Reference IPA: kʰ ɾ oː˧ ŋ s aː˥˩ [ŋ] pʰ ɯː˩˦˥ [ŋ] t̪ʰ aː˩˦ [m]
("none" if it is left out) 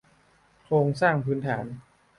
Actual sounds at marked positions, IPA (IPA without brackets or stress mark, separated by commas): ŋ, n, n